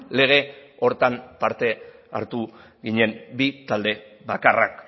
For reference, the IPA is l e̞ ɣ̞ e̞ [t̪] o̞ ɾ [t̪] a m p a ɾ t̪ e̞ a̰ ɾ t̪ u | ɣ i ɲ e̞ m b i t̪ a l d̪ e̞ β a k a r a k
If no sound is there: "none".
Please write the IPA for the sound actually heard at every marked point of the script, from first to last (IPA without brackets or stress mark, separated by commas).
none, t̪